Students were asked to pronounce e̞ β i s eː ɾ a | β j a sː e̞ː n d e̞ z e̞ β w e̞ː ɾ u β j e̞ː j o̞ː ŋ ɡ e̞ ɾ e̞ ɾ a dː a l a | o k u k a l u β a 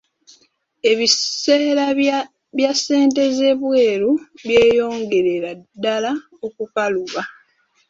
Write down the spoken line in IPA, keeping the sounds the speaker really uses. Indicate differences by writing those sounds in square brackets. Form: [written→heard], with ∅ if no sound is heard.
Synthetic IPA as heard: e̞ β i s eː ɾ a | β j a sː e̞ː n [d→t] e̞ z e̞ β w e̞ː ɾ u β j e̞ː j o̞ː ŋ ɡ e̞ ɾ e̞ ɾ a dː a l a | o k u k a l u β a